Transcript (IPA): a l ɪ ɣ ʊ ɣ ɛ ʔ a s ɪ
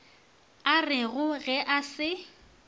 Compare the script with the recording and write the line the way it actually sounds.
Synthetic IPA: a r ɪ ɣ ʊ ɣ ɛ ʔ a s ɪ